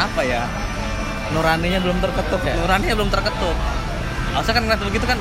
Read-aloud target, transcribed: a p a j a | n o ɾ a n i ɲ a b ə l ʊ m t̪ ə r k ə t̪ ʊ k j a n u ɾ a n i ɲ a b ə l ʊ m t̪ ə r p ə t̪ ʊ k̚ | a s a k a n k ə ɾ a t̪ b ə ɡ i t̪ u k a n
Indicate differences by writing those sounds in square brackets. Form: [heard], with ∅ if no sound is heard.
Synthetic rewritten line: a p a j a | n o ɾ a n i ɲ a b ə l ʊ m t̪ ə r k ə t̪ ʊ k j a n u ɾ a n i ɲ a b ə l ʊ m t̪ ə r [k] ə t̪ ʊ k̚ | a s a k a n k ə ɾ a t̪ b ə ɡ i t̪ u k a n